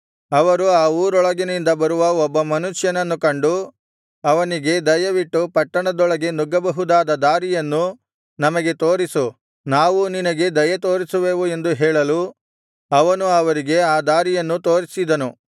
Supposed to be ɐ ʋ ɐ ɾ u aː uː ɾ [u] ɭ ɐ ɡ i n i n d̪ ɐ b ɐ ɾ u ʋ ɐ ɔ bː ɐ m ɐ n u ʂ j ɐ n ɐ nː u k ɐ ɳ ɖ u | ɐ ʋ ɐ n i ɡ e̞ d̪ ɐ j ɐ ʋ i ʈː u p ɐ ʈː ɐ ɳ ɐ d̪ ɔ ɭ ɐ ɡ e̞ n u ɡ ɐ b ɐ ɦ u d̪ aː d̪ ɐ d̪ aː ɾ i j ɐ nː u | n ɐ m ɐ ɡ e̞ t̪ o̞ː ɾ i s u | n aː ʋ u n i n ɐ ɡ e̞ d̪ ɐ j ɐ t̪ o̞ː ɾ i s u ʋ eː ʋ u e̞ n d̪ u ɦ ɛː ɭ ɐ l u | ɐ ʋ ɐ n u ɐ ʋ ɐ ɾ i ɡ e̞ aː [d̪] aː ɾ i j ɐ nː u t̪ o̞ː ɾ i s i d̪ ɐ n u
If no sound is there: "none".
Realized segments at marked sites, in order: ɔ, d̪

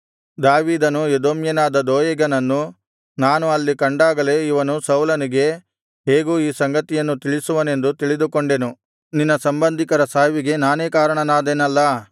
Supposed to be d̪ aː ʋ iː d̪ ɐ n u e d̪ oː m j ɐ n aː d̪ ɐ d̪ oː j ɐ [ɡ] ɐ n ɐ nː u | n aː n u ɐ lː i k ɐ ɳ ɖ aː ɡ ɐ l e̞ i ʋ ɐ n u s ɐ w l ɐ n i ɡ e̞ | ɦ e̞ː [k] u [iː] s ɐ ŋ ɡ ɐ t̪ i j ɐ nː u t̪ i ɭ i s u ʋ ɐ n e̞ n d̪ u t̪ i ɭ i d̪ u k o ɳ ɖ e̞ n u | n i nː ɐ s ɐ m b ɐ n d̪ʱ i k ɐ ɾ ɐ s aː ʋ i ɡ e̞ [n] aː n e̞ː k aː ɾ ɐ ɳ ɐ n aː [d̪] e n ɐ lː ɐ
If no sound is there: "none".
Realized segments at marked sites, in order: ɡ, ɡ, iː, n, d̪

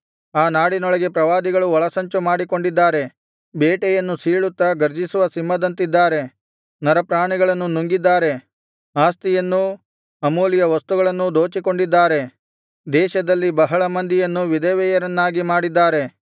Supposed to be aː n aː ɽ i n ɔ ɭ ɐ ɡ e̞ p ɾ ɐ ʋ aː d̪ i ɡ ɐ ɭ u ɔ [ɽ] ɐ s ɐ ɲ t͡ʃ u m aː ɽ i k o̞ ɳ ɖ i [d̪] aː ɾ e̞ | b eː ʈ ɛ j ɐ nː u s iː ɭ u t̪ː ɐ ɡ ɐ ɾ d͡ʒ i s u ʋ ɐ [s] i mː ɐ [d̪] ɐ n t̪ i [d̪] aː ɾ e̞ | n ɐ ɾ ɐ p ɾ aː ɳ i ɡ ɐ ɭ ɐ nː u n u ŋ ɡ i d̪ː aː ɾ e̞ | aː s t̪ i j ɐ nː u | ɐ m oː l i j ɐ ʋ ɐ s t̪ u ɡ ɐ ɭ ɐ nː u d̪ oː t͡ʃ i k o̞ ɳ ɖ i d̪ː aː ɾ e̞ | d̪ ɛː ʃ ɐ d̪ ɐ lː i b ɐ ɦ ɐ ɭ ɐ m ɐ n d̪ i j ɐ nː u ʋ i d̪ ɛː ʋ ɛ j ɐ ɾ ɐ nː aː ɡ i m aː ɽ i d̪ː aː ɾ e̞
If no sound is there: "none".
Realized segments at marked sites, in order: ɭ, d̪ː, s, d̪, d̪ː

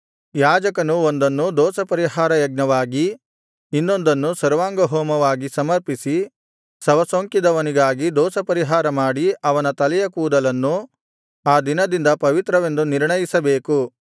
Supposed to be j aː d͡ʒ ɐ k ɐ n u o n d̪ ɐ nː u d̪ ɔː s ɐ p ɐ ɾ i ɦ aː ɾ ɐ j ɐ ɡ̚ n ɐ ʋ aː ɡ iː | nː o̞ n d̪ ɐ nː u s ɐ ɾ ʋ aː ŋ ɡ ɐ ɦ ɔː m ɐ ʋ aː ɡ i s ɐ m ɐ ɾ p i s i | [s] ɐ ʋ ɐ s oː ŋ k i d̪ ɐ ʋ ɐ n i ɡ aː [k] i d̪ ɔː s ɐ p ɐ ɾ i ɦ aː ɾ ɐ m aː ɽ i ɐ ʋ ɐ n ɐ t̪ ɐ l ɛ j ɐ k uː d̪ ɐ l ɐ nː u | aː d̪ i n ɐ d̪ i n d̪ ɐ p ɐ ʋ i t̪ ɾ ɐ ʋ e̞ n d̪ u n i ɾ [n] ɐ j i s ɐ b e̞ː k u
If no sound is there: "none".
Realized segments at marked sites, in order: s, ɡ, ɳ

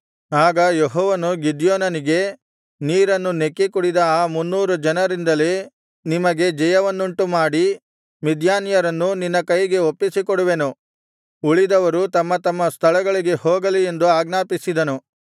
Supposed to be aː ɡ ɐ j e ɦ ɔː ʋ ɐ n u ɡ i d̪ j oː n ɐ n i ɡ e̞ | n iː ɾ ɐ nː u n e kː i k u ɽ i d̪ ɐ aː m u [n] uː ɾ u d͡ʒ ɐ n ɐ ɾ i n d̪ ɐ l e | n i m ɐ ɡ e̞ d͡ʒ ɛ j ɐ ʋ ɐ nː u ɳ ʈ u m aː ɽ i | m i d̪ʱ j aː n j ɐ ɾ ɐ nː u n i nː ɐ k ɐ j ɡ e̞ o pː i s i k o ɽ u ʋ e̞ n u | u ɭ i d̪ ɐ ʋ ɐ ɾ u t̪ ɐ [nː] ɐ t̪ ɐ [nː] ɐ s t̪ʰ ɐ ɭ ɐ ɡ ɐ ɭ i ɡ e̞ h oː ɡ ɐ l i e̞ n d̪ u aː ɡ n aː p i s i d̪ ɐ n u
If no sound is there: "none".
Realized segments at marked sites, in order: nː, mː, mː

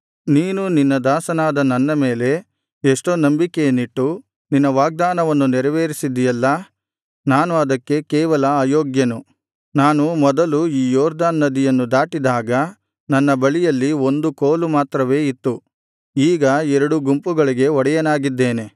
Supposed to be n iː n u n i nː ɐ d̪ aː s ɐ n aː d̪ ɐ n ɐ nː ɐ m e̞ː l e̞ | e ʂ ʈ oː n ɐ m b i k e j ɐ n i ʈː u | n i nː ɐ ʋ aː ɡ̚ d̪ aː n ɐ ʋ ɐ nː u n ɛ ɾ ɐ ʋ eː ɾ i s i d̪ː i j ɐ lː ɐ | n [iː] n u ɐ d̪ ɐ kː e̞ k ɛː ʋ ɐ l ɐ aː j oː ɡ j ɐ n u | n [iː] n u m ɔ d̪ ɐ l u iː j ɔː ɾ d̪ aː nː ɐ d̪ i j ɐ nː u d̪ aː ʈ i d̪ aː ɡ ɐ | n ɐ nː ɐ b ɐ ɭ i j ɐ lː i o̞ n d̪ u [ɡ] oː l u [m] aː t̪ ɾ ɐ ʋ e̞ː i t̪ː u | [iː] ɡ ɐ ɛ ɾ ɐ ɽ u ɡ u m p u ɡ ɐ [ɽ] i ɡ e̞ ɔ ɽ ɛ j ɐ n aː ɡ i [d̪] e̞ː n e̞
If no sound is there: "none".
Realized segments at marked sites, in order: aː, aː, k, m, iː, ɭ, d̪ː

